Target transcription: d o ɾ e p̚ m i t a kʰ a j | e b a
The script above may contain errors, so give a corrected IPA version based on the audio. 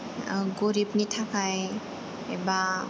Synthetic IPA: ɡ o ɾ i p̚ n i tʰ a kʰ a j | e b a